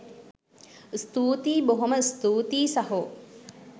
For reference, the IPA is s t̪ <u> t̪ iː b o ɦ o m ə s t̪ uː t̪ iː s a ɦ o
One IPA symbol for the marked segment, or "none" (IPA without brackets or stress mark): uː